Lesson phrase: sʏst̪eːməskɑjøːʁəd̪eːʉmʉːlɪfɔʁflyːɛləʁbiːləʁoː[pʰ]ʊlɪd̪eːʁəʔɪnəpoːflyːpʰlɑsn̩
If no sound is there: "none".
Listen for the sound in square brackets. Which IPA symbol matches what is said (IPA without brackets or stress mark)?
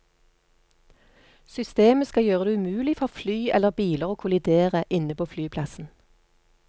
kʰ